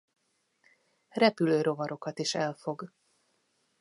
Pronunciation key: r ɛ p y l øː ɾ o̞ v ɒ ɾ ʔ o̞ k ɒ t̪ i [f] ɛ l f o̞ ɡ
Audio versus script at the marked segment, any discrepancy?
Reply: yes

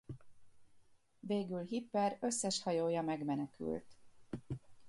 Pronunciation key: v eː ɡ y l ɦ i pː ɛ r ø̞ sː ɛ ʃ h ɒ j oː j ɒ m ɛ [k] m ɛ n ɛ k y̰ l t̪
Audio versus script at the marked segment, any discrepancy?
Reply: yes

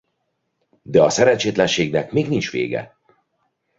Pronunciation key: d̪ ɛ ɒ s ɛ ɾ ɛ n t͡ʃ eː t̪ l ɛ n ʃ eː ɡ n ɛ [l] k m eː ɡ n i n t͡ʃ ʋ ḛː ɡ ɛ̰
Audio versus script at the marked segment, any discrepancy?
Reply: yes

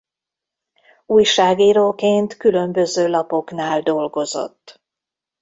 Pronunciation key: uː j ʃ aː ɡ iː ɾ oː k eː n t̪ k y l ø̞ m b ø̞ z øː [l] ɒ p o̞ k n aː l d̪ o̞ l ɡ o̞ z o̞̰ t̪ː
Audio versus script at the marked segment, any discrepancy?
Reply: no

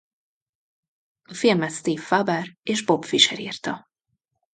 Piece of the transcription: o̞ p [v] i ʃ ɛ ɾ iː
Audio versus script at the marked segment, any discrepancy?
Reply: yes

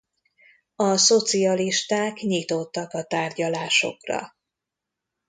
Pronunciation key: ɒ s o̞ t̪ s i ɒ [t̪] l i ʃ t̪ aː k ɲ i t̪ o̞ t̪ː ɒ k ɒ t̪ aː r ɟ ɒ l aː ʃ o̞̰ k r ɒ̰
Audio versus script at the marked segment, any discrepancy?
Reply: yes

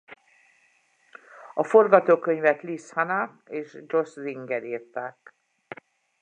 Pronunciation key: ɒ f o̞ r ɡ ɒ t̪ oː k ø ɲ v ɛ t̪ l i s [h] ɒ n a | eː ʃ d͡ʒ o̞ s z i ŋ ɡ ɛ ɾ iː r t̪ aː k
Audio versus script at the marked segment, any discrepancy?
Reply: no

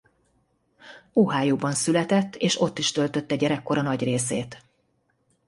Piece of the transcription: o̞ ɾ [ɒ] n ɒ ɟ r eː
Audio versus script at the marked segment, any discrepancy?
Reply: no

